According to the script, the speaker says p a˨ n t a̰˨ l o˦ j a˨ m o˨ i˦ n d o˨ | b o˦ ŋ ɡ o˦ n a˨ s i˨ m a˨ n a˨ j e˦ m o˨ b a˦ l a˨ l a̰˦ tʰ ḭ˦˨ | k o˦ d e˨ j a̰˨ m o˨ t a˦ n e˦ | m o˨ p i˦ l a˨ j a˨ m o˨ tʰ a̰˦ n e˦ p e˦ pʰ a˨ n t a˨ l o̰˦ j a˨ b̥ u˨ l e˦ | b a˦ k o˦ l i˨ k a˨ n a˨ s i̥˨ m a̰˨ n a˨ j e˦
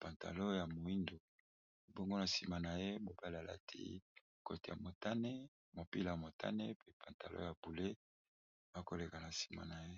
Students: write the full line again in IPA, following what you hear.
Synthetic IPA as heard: p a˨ n t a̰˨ l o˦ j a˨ m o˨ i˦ n d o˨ | b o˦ ŋ ɡ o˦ n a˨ s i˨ m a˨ n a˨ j e˦ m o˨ b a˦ l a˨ l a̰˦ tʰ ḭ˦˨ | k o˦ t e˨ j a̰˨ m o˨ t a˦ n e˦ | m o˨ p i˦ l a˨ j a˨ m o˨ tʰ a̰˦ n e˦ p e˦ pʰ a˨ n t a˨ l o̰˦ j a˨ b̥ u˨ l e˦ | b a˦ k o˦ l e˨ k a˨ n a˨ s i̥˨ m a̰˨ n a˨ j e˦